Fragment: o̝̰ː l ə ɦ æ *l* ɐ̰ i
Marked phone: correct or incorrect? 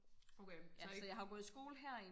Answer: incorrect